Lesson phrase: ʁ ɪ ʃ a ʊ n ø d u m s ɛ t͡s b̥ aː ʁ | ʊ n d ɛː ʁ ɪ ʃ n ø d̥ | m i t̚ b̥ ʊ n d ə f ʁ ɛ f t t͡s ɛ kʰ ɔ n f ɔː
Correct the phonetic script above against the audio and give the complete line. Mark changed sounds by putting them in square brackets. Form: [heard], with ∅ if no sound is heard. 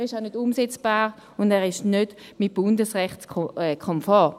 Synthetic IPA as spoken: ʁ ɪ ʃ a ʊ n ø d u m s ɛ t͡s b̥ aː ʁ | ʊ n d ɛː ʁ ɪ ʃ n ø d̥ | m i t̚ b̥ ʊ n d ə [s] ʁ ɛ [χ] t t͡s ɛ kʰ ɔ [m] f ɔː